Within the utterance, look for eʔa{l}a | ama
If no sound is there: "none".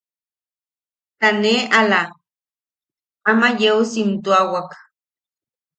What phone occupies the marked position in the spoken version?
l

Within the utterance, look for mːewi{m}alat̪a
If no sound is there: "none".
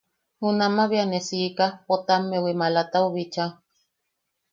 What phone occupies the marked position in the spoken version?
m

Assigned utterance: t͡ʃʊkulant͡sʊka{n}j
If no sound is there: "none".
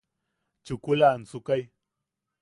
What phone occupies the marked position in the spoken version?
none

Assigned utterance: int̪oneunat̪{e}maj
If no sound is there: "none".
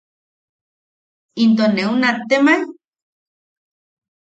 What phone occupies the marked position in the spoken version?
e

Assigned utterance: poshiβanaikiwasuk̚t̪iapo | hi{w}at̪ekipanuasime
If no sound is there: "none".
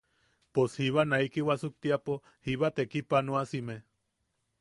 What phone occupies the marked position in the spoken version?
β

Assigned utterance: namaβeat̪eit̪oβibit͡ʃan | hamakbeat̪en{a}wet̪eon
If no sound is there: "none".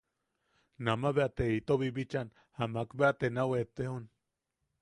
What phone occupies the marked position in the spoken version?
a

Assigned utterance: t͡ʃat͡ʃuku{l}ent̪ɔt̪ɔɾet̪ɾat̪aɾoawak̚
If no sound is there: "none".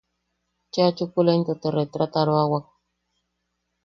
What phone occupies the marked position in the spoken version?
l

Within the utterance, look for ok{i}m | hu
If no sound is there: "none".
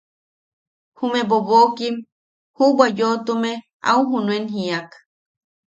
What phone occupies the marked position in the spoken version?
i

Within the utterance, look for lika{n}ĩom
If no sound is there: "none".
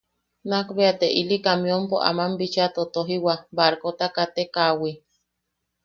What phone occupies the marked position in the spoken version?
m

